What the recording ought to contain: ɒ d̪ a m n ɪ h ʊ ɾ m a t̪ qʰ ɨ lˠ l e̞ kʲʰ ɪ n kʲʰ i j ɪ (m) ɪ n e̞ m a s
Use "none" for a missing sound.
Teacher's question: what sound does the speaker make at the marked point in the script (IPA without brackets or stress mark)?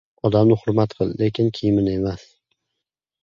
m